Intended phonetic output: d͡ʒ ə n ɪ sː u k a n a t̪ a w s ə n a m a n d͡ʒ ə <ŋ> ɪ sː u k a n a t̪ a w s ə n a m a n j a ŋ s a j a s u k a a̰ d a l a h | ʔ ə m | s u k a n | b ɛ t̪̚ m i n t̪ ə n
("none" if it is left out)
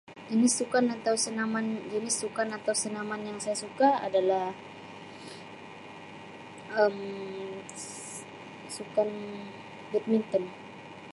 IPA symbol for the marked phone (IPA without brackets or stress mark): n